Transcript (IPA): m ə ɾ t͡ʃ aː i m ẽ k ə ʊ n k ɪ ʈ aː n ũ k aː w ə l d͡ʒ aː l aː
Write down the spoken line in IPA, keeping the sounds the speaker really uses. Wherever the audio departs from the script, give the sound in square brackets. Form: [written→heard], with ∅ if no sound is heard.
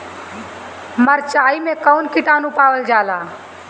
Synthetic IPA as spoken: m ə ɾ t͡ʃ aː i m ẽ k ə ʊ n k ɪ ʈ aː n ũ [k→p] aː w ə l d͡ʒ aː l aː